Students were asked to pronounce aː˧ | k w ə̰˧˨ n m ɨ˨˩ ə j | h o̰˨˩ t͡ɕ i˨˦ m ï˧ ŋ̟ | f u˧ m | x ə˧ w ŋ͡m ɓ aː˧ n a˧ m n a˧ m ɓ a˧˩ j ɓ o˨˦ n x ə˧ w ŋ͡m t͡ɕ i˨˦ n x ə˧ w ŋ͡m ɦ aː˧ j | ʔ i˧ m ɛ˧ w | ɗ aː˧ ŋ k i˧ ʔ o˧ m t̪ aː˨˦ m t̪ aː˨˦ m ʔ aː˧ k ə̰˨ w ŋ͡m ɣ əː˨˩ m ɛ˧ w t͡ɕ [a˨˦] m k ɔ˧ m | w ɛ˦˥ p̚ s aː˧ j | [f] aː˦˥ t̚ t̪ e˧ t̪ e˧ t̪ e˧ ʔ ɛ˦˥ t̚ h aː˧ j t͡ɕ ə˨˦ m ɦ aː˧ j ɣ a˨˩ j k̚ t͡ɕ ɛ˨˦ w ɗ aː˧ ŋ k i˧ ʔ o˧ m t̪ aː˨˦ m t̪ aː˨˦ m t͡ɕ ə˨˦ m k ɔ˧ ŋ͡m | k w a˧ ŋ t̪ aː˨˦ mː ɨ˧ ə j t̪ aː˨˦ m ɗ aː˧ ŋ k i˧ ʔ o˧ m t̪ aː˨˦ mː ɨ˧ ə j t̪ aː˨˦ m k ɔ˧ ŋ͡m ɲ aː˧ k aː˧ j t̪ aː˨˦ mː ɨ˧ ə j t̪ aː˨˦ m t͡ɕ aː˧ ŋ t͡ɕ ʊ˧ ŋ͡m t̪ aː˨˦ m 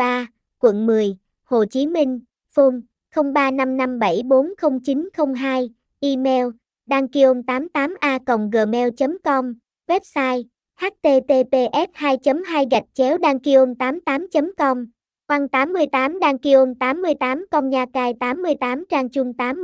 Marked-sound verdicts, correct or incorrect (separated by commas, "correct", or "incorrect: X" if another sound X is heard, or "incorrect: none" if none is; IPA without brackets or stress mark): incorrect: ə˨˦, incorrect: h